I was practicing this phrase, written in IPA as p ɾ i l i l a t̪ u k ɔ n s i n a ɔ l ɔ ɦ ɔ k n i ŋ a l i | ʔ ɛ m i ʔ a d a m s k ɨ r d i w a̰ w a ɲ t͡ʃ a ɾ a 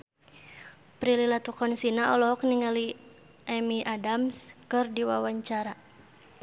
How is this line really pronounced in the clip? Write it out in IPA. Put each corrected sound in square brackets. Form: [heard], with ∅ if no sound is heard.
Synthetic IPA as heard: p ɾ i l i l a t̪ u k ɔ n s i n a ɔ l ɔ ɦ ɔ k n i ŋ a l i | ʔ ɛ m i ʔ a d a m s k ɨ r d i w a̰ w a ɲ t͡ʃ a ɾ a